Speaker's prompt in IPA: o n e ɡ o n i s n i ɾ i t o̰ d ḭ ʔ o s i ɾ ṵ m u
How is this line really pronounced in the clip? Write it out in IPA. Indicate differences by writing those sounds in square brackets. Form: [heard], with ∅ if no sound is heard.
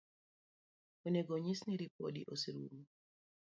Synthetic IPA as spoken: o n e ɡ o [ɲ] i s n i ɾ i [p] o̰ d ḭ ʔ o s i ɾ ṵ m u